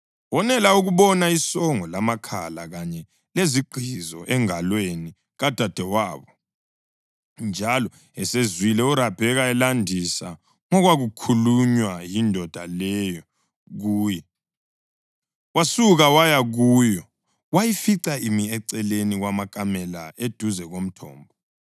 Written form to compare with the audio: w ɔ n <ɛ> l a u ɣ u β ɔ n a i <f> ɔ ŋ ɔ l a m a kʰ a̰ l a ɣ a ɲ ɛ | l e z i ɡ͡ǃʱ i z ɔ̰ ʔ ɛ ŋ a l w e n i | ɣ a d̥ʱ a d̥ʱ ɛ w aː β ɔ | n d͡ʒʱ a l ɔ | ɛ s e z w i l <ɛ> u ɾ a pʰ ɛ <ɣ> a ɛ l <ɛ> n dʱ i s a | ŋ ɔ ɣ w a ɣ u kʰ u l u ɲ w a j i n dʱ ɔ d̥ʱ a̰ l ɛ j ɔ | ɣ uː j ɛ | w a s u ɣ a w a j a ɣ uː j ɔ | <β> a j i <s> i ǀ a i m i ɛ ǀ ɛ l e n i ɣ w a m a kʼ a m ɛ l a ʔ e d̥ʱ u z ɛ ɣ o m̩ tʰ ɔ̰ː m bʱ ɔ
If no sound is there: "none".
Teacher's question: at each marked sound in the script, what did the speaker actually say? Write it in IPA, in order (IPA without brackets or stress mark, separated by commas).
ɛ, s, ɛ, ɣ, a, w, f